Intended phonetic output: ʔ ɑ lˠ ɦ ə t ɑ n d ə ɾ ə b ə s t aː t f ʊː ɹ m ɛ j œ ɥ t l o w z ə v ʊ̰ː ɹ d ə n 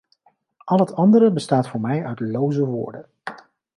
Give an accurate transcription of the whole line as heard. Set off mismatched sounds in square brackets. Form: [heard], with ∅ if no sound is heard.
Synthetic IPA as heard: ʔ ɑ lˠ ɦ ə t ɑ n d ə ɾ ə b ə s t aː t f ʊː ɹ m ɛ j œ ɥ t l o w z ə [ʋ] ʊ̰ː ɹ d ə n